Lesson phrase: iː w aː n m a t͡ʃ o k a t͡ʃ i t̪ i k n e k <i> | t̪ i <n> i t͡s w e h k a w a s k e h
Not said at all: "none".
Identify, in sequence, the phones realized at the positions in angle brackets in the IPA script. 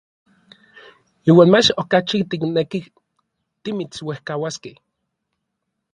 i, m

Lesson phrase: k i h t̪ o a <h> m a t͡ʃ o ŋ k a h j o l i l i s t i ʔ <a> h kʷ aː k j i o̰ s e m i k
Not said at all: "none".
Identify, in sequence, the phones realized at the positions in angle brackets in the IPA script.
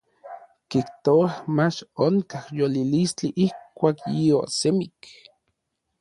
h, i

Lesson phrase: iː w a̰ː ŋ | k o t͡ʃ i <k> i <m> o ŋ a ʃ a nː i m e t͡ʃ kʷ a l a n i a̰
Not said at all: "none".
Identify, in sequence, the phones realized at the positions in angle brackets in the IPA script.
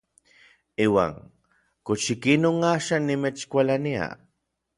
k, n

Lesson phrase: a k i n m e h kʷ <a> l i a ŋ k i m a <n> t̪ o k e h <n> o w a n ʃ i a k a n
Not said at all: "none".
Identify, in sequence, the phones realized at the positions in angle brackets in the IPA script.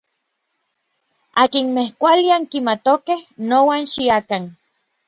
a, none, n

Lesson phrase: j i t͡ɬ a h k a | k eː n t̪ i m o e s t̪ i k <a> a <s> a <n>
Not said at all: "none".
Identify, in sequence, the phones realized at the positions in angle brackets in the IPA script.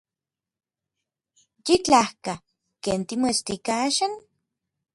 a, ʃ, n

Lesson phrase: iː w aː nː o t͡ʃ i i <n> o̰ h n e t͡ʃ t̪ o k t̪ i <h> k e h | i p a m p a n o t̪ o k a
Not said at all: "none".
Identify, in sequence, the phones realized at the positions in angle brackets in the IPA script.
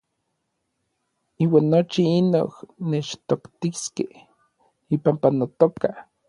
n, s

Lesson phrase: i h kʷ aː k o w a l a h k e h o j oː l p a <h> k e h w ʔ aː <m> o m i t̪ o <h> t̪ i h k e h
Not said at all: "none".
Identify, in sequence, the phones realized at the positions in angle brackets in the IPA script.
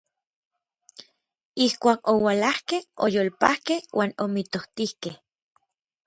h, n, h

